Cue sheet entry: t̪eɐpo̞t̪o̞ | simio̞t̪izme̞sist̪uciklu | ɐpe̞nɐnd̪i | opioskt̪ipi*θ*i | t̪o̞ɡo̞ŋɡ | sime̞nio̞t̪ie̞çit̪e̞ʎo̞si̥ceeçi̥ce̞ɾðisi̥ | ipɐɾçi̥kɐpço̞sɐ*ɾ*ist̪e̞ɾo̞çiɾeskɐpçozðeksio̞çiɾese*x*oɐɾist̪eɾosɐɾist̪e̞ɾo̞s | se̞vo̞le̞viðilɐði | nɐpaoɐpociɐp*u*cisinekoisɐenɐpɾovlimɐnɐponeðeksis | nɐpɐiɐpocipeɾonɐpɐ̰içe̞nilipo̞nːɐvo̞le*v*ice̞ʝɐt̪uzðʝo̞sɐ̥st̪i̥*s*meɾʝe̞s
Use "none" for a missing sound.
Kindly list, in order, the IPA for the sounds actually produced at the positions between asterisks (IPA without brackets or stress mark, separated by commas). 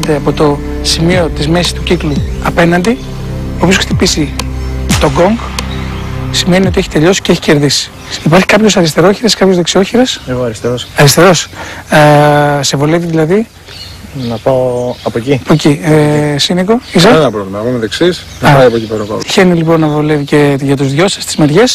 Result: s, ɾ, ɣ, o, v, z